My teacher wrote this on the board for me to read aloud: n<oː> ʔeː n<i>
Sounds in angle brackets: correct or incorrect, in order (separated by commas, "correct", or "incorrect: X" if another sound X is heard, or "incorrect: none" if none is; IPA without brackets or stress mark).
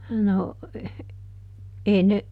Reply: incorrect: o, incorrect: e